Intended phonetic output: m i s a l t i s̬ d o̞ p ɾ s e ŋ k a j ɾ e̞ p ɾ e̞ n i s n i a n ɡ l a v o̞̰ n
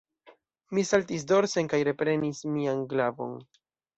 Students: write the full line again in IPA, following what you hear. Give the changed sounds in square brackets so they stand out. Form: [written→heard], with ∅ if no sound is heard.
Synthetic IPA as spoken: m i s a l t i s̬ d o̞ [p→∅] ɾ s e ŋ k a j ɾ e̞ p ɾ e̞ n i s [n→m] i a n ɡ l a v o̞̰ n